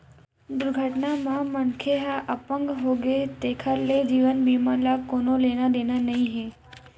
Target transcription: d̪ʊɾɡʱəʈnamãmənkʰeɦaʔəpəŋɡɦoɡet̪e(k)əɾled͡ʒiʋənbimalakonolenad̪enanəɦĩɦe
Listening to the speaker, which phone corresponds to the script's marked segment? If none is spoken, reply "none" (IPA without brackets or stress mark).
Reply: kʰ